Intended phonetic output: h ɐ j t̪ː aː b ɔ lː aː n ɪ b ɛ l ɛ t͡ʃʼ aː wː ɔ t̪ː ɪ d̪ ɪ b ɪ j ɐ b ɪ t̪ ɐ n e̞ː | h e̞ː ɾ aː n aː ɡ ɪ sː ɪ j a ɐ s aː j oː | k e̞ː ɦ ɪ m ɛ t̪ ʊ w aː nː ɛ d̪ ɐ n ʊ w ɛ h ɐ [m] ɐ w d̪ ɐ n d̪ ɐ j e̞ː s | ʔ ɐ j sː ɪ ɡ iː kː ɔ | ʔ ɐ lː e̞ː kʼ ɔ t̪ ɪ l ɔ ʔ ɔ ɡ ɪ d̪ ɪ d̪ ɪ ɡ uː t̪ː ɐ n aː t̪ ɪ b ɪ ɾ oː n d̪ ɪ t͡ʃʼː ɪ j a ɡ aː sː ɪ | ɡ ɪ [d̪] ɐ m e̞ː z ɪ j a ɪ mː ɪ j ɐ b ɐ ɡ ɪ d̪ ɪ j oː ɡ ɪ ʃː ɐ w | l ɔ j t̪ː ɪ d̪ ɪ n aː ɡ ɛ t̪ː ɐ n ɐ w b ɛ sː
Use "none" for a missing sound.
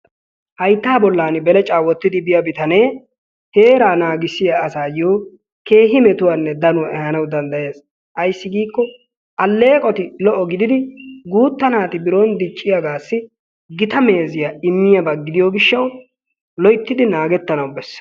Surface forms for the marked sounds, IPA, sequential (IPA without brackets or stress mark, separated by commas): n, t̪